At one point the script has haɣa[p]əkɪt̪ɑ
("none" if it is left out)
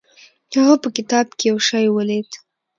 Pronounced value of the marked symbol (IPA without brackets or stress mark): p